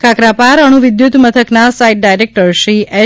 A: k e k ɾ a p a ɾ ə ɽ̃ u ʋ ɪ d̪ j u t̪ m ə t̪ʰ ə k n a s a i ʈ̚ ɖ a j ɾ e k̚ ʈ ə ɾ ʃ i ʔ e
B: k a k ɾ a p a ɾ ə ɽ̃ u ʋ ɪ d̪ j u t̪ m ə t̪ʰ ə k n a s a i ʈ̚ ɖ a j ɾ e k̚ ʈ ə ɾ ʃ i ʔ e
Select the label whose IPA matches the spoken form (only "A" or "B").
B